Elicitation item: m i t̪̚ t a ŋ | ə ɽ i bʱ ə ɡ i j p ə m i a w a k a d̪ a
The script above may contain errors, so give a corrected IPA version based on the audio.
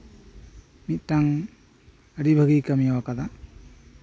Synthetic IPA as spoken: m i t̪̚ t a ŋ | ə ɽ i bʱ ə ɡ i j k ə m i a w a k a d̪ a